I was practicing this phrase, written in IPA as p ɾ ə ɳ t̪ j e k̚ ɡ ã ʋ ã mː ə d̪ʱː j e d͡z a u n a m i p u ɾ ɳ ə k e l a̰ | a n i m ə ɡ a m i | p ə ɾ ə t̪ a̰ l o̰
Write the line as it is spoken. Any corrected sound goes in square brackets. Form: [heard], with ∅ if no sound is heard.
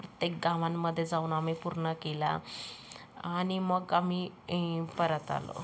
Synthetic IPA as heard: p ɾ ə [∅] t̪ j e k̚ ɡ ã ʋ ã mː ə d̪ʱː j e d͡z a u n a m i p u ɾ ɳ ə k e l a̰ | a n i m ə ɡ a m i | p ə ɾ ə t̪ a̰ l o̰